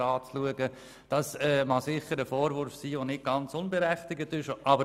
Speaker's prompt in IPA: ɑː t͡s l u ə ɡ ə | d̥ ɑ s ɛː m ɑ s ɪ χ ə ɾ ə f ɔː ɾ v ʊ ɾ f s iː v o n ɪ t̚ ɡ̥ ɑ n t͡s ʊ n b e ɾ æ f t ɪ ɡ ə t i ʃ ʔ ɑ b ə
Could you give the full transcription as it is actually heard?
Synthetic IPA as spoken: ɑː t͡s l u ə ɡ ə | d̥ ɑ s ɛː m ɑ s ɪ χ ə ɾ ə f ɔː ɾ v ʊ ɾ f s iː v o n ɪ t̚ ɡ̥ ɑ n t͡s ʊ n b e ɾ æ χ t ɪ ɡ ə t ɪ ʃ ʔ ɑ b ə